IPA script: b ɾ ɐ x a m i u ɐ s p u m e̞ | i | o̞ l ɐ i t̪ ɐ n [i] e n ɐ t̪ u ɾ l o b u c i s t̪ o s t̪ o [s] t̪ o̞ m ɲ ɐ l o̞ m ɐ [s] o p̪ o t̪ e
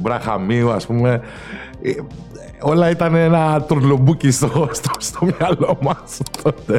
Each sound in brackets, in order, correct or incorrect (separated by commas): incorrect, correct, correct